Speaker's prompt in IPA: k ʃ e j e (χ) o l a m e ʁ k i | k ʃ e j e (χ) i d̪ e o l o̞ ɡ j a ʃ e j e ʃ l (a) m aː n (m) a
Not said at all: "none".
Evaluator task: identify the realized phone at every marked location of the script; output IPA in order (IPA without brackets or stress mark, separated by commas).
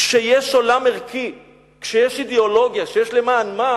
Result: ʃ, ʃ, e, m